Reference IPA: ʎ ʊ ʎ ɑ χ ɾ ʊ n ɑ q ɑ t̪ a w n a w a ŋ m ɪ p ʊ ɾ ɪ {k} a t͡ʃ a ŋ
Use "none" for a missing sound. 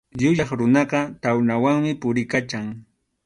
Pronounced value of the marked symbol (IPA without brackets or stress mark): k